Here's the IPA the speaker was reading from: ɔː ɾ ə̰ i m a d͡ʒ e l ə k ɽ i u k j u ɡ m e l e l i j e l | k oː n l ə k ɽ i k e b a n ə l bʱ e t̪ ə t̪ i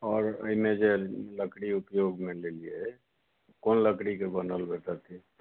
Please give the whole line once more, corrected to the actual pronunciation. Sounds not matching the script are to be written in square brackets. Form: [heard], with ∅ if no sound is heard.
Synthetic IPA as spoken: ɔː ɾ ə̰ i m [e] d͡ʒ e l ə k ɽ i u [p] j [o] ɡ m e l e l i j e [∅] | k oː n l ə k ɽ i k e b [ə] n ə l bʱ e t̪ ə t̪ i